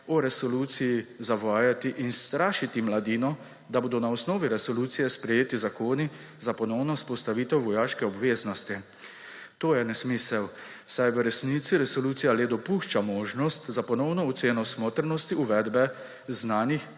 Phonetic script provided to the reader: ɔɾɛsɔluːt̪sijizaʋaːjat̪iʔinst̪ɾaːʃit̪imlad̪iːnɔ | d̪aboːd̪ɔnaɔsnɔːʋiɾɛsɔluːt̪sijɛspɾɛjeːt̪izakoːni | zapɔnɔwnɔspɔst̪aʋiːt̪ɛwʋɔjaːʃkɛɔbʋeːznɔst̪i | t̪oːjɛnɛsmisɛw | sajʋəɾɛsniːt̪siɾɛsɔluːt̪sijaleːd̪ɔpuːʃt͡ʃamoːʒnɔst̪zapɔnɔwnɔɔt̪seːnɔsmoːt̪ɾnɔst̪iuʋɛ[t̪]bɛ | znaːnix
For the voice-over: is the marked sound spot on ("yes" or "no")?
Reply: no